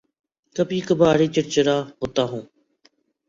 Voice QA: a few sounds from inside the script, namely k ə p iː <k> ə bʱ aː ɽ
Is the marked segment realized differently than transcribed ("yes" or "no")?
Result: no